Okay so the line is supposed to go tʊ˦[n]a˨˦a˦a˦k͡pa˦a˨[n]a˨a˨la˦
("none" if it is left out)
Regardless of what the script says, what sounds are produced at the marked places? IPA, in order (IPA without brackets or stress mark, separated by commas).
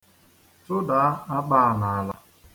d, n